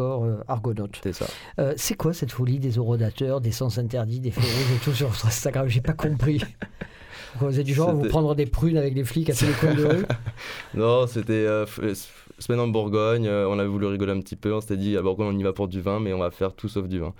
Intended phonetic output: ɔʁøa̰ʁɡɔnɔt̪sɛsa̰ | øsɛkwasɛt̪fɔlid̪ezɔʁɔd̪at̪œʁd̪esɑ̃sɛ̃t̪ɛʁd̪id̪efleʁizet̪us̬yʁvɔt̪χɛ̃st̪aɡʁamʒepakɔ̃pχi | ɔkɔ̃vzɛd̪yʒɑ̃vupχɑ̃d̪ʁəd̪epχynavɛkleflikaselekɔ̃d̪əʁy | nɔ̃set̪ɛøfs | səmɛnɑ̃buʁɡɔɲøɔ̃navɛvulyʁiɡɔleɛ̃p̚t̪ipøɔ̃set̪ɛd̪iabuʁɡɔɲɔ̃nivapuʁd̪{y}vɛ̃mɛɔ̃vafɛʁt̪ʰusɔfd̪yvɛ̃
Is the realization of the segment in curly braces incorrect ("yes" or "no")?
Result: no